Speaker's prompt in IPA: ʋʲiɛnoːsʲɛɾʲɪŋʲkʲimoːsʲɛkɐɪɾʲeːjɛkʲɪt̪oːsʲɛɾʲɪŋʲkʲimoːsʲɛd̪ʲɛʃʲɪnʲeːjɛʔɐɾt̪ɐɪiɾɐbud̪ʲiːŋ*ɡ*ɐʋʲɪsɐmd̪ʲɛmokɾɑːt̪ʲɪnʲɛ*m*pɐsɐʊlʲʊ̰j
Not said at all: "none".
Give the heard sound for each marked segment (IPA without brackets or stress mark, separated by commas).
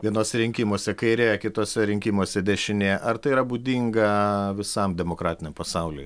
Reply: ɡ, m